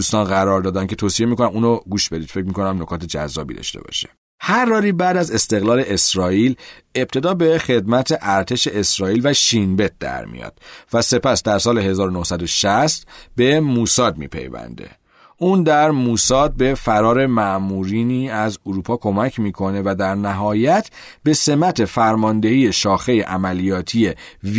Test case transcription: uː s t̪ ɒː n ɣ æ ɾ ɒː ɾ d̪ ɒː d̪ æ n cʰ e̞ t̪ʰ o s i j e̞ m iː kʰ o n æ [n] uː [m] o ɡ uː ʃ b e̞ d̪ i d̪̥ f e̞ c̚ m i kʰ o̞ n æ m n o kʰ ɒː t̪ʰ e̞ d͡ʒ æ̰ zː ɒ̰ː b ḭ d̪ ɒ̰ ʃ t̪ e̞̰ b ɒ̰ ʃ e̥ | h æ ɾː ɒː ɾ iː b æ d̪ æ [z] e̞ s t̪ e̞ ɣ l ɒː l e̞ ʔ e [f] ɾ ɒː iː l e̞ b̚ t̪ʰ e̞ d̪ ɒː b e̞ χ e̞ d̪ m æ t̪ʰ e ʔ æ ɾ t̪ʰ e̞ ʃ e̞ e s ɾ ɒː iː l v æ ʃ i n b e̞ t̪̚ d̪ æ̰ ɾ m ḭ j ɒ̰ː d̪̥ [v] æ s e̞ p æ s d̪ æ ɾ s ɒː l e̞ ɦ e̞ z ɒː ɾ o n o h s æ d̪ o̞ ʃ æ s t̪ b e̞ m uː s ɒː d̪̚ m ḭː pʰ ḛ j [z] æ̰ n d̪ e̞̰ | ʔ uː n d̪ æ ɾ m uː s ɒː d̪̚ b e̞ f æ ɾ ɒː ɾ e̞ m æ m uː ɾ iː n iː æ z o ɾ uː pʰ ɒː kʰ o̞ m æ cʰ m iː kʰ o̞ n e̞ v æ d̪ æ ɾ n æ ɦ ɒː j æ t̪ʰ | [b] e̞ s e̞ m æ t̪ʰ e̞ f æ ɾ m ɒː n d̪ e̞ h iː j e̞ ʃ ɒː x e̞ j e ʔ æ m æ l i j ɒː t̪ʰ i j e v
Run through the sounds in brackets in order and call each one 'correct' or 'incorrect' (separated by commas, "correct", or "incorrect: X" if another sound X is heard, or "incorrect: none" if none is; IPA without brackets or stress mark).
incorrect: m, incorrect: n, correct, incorrect: s, correct, incorrect: v, correct